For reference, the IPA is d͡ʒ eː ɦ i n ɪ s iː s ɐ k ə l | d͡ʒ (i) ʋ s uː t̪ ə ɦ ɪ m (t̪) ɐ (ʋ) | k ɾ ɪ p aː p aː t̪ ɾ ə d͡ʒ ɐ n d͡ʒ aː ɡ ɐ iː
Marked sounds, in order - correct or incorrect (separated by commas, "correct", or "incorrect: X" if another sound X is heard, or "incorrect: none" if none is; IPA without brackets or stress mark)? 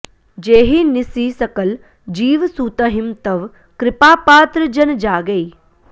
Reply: incorrect: iː, correct, correct